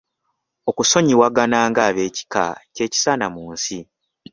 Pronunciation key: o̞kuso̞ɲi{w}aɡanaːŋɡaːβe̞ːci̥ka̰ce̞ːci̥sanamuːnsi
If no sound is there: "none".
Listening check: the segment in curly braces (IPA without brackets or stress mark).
w